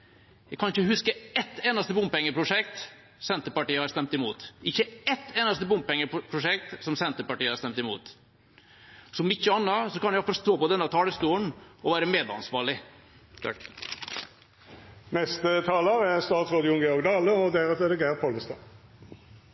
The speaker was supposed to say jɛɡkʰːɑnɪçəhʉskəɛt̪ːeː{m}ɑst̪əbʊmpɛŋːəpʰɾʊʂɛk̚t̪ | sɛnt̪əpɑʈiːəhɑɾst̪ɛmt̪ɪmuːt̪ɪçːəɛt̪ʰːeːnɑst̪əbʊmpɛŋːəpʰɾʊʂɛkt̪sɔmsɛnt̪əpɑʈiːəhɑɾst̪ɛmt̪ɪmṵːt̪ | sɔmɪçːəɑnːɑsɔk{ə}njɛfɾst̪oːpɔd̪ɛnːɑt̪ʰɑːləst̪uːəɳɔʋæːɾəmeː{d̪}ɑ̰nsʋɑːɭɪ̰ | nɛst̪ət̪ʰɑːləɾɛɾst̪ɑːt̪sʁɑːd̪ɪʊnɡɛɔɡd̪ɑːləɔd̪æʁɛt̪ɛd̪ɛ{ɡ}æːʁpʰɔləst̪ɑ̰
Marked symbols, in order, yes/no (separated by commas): no, no, yes, yes